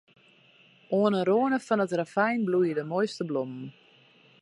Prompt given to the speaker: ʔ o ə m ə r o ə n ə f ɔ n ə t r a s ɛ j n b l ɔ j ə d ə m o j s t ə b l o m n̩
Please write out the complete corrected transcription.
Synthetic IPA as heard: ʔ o ə n ə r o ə n ə f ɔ n ə t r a f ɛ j n b l u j ə d ə m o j s t ə b l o m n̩